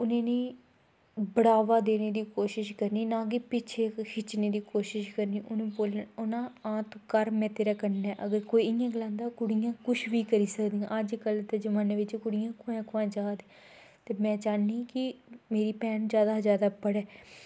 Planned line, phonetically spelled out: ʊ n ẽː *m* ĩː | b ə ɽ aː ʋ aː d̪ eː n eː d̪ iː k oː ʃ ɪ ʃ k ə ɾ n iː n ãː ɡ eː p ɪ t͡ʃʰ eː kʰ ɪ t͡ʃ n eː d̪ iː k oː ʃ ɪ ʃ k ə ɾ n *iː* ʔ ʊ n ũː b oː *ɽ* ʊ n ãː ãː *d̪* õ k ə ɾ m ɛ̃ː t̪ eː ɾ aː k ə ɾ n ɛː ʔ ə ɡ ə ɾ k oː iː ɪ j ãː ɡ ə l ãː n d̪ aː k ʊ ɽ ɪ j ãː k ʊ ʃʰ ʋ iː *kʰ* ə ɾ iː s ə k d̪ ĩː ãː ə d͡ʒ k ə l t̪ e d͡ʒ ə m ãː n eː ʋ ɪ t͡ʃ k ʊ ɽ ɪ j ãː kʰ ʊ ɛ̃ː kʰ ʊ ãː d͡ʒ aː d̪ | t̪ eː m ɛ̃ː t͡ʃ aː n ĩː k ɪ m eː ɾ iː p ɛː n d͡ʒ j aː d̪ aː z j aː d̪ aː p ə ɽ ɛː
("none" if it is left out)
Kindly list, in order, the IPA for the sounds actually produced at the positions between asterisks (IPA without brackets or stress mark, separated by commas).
n, iː, l, t̪, k